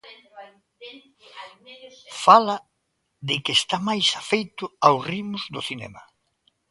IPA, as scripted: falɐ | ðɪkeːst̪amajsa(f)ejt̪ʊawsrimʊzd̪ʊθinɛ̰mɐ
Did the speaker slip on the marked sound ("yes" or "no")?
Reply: no